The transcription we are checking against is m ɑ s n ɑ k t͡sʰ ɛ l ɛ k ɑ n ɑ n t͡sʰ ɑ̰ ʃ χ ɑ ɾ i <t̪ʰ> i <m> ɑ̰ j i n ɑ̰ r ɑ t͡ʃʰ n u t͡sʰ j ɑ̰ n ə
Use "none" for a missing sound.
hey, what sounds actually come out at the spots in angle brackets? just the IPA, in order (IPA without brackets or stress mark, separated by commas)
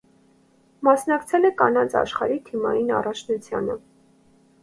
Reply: t̪ʰ, m